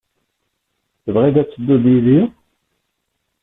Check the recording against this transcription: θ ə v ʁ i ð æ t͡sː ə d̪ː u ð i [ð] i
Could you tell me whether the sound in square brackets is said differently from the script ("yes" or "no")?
no